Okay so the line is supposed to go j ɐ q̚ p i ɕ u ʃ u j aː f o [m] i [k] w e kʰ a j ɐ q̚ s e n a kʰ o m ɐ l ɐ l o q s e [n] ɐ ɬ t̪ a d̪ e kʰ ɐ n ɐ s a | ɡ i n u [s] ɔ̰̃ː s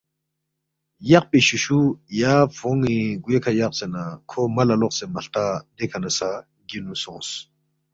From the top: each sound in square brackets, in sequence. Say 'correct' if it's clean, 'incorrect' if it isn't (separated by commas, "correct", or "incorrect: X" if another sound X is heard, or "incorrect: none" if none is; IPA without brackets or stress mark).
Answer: incorrect: ŋ, incorrect: ɡ, incorrect: m, correct